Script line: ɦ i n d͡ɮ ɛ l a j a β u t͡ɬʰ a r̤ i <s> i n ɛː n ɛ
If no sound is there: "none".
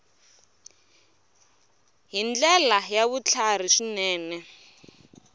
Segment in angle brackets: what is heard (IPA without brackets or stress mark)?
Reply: ʂ